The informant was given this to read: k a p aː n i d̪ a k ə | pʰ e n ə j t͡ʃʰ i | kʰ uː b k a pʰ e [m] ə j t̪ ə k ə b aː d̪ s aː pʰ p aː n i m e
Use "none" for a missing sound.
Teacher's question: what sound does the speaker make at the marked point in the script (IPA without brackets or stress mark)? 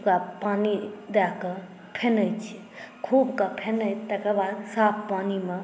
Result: n